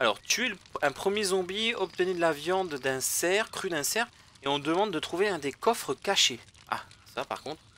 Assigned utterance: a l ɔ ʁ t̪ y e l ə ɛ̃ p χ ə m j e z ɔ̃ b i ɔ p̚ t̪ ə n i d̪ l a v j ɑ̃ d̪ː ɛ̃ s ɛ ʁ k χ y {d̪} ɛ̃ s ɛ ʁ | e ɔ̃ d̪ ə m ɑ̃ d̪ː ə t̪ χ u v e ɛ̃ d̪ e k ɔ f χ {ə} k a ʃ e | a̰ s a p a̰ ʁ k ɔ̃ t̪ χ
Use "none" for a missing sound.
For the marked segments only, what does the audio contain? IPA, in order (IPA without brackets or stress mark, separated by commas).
d̪, ə